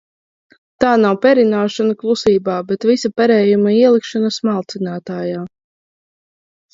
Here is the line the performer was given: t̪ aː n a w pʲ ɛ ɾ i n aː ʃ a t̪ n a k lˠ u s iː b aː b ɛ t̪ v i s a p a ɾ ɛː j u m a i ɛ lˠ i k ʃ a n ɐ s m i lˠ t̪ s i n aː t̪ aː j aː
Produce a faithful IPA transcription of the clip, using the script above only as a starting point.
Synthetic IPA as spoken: t̪ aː n a w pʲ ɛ ɾ i n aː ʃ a n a k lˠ u s iː b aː b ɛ t̪ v i s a p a ɾ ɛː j u m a i ɛ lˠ i k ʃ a n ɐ s m a lˠ t̪ s i n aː t̪ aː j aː